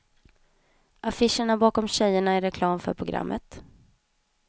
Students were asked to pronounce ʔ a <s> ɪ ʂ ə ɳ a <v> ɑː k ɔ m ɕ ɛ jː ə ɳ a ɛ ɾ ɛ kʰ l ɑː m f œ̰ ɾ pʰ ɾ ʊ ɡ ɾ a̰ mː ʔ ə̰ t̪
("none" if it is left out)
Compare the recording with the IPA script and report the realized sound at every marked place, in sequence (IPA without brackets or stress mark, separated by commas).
f, b